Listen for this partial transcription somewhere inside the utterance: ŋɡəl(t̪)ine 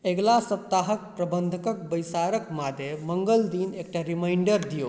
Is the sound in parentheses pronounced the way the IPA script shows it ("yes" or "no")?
no